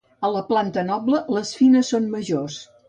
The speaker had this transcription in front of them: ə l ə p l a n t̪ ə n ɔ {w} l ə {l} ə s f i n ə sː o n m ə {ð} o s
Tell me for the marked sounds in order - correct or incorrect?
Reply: incorrect, correct, incorrect

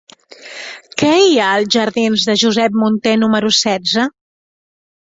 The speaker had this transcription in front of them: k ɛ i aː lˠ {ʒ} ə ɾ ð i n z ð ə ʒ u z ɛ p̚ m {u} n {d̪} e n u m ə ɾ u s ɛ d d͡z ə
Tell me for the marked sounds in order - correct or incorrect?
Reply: correct, correct, incorrect

